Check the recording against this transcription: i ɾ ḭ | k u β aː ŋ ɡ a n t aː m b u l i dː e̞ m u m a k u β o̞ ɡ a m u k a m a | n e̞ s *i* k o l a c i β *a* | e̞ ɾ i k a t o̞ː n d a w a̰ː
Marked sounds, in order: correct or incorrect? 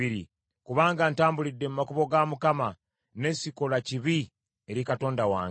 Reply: correct, incorrect: i

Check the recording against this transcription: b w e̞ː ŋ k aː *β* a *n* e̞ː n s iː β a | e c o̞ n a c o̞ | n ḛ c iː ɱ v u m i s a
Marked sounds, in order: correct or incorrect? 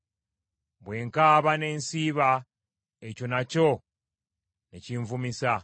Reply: correct, correct

